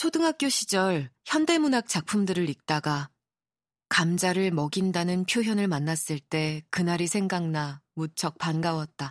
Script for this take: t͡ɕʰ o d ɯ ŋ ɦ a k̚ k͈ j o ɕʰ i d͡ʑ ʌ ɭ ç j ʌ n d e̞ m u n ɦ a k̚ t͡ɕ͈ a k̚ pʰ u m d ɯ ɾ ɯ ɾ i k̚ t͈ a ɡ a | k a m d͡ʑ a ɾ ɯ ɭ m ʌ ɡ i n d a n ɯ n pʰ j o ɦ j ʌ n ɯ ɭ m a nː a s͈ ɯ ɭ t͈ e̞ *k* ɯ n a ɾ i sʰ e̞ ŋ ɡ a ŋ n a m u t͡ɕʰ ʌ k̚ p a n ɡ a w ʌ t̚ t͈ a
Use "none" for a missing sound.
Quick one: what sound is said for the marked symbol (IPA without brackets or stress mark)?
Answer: k